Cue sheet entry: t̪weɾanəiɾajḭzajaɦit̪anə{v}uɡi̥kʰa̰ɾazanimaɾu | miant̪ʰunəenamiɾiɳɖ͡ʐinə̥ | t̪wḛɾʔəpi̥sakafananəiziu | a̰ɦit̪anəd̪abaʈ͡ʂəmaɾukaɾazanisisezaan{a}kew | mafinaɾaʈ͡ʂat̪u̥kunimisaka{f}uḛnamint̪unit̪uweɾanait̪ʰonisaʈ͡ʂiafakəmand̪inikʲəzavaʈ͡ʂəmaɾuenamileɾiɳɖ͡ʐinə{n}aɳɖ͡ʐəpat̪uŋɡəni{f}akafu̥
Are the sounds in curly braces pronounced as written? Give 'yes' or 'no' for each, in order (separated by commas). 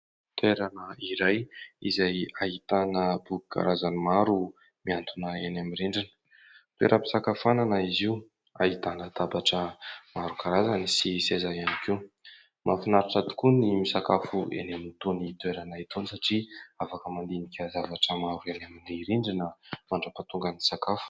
no, no, yes, no, no